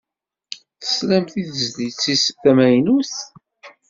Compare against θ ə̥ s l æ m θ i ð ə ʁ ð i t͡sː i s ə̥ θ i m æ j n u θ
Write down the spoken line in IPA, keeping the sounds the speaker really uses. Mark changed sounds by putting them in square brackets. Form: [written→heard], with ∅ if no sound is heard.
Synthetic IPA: θ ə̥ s l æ m θ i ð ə [ʁ→z] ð i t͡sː i s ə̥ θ [i→æ] m æ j n u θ

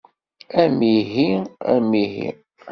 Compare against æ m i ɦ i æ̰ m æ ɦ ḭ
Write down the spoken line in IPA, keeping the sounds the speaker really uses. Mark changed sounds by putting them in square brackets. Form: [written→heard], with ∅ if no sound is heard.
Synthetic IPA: æ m i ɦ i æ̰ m [æ→i] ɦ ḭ

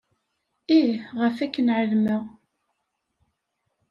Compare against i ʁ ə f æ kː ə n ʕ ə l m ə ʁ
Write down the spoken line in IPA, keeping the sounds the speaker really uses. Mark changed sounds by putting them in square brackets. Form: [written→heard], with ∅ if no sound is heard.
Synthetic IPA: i ʁ ə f æ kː ə n ʕ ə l m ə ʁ

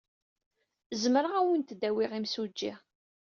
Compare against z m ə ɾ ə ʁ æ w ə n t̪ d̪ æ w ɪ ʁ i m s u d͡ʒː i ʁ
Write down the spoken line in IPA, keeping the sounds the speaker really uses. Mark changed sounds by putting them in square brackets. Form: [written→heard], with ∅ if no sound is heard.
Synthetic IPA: z m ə ɾ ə ʁ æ w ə n t̪ d̪ æ w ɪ ʁ i m s u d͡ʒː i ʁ

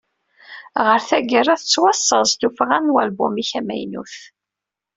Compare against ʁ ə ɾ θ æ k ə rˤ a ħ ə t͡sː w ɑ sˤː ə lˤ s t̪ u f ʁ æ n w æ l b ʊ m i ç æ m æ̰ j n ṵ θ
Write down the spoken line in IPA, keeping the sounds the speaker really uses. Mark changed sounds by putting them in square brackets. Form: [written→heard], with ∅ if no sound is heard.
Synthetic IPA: ʁ ə ɾ θ æ [k→ɡ] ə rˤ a [ħ→θ] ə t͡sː w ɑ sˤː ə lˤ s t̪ u f ʁ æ n w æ l b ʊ m i ç æ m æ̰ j n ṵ θ

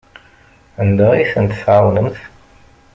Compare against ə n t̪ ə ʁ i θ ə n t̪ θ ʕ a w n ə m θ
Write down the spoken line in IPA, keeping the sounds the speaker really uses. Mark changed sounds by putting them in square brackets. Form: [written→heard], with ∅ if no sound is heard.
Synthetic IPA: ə n [t̪→d̪] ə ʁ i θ ə n t̪ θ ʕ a w n ə m θ

